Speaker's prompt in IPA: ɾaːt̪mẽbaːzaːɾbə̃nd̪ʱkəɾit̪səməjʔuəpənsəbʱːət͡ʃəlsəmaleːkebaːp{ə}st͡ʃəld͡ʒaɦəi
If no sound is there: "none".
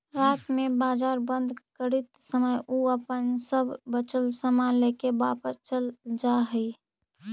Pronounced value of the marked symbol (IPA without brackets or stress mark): ə